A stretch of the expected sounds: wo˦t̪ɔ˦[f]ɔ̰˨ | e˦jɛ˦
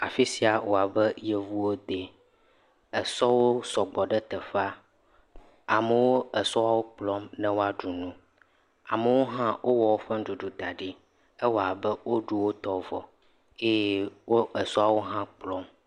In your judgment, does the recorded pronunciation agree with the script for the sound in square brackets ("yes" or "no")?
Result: no